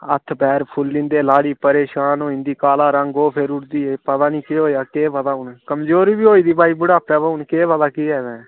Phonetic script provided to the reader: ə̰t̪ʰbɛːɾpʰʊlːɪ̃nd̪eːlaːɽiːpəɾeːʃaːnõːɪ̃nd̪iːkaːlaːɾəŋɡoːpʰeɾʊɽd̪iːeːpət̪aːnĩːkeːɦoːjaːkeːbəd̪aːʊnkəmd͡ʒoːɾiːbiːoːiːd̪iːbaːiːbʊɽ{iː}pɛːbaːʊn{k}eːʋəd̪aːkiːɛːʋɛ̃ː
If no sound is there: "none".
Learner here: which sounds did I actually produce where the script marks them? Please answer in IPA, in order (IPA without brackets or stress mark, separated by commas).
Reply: aː, k